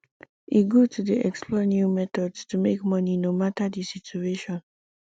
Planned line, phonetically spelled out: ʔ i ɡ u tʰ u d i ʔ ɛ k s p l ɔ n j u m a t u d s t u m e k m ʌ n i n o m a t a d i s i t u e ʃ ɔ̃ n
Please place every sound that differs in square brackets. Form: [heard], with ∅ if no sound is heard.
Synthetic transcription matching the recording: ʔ i ɡ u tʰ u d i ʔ ɛ k s p l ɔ n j u m [ɛ] t [ɔ] d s t u m e k m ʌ n i n o m a t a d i s i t u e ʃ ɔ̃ n